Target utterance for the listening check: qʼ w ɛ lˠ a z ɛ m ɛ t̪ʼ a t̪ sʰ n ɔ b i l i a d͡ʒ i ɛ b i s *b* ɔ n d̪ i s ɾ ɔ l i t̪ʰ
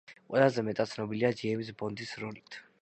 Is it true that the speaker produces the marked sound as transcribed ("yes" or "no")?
yes